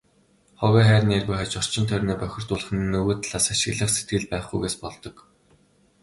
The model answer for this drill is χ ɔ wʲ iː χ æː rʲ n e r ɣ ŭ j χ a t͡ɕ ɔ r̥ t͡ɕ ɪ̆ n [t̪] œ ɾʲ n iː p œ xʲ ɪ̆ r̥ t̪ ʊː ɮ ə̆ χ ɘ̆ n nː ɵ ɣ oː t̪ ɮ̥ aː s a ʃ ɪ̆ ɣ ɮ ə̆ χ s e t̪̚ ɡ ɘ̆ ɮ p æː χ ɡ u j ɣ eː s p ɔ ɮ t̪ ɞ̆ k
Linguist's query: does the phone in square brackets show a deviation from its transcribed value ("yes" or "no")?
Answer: yes